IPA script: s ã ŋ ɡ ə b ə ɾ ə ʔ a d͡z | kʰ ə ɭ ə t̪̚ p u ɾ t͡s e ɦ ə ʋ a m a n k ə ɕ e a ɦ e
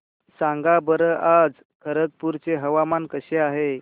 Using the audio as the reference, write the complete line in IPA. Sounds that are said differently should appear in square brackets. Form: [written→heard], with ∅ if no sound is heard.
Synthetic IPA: s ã ŋ ɡ [ə→a] b ə ɾ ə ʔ a d͡z | kʰ ə [ɭ→ɾ] ə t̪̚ p u ɾ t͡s e ɦ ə ʋ a m a n k ə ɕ e a ɦ e